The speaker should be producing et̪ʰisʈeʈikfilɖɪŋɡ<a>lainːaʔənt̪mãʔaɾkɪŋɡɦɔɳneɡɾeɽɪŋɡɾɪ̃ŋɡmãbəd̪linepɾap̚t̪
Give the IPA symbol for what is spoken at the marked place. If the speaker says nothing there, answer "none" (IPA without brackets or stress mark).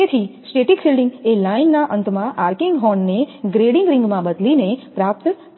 e